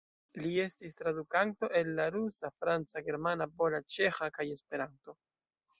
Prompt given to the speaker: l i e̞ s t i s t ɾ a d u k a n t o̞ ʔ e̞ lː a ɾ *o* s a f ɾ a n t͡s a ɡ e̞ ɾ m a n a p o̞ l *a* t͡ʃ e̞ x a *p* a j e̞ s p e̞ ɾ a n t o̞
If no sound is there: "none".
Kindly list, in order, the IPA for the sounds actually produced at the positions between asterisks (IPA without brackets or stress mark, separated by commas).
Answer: u, a, k